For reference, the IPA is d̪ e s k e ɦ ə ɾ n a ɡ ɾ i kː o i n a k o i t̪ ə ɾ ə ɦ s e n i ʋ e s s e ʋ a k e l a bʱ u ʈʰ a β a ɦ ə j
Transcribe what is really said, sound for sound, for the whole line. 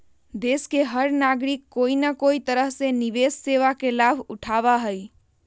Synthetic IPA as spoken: d̪ e s k e ɦ ə ɾ n a ɡ ɾ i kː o i n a k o i t̪ ə ɾ ə ɦ s e n i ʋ e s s e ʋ a k e l a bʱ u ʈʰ a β a ɦ ə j